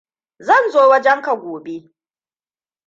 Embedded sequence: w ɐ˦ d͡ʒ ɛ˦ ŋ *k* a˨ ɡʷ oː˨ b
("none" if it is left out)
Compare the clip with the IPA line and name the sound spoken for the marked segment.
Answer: k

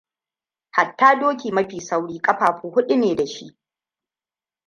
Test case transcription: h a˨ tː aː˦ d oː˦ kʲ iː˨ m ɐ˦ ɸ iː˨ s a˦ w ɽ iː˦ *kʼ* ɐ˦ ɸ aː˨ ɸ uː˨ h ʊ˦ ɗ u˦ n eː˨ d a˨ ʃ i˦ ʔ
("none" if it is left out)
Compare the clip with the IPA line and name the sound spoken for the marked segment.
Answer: kʼ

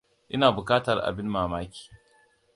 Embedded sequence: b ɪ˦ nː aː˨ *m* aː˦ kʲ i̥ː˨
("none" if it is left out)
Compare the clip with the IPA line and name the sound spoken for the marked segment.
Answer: m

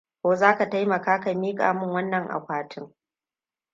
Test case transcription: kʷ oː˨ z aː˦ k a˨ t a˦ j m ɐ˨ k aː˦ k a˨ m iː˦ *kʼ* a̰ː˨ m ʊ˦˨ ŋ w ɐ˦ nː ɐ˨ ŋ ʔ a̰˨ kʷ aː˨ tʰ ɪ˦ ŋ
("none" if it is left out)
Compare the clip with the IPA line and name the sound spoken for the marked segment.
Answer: kʼ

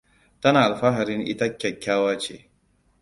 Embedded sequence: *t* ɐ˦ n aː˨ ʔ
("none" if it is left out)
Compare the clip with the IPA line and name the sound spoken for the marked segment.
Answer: t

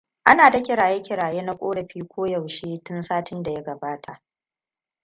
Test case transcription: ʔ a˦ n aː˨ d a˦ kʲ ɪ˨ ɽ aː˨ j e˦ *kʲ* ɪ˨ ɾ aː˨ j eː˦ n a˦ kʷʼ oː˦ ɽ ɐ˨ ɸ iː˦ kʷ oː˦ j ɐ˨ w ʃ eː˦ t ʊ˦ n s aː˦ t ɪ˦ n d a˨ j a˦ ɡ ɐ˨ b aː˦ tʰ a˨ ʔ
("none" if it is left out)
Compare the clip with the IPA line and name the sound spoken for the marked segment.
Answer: kʲ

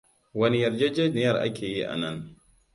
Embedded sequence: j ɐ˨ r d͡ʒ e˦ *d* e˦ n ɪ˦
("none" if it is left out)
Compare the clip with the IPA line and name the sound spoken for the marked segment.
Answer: d͡ʒ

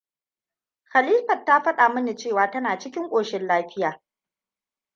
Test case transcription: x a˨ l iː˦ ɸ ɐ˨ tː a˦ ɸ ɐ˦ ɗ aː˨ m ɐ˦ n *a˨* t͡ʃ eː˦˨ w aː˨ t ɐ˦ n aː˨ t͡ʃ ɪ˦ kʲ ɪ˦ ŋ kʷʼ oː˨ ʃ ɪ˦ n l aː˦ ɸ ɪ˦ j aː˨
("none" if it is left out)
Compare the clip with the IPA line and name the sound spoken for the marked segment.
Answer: i˨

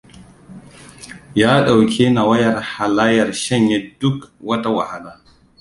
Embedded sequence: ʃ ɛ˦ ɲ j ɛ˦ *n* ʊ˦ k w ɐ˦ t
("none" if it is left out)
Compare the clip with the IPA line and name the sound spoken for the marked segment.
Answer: d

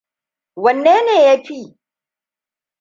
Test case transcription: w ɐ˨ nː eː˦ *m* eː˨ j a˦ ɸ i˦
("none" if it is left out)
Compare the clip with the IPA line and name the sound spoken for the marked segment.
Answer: n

